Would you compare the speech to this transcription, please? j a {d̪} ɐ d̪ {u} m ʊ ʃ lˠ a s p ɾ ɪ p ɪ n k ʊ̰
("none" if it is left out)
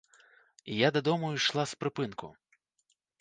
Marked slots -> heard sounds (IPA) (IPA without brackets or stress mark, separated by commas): d̪, ɔ